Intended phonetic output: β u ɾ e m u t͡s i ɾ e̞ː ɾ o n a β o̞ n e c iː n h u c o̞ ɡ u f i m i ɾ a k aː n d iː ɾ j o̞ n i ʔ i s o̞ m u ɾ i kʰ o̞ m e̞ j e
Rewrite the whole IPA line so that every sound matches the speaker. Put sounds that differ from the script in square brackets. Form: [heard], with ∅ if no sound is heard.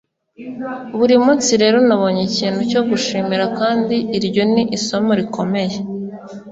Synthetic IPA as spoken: β u ɾ [i] m u t͡s i ɾ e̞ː ɾ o n a β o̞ [ɲ] e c iː n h u c o̞ ɡ u [ʃ] i m i ɾ a k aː n d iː ɾ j o̞ n i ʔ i s o̞ m [o] ɾ i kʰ o̞ m e̞ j e

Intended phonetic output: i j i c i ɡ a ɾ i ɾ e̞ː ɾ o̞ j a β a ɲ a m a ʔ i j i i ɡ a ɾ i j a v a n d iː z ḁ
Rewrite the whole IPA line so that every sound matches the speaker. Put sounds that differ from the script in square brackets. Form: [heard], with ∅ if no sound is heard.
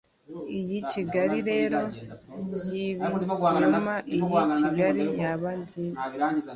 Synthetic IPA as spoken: i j i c i ɡ a ɾ i ɾ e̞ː ɾ o̞ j [i] β [i] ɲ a m a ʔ i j i i ɡ a ɾ i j a [β] a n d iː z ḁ

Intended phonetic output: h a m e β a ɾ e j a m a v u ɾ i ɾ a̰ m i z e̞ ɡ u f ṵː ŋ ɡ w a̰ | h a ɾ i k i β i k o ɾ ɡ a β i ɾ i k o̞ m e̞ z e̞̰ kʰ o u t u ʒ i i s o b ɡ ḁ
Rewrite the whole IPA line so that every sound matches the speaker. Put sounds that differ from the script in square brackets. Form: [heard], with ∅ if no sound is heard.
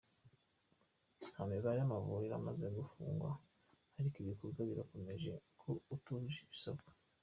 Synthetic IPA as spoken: h a m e β a ɾ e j a m a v u ɾ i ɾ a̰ m [a] z e̞ ɡ u f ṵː ŋ ɡ w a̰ | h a ɾ i k i β i k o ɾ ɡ a β i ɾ [a] k o̞ m e̞ [ʒ] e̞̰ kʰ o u t u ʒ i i s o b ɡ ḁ

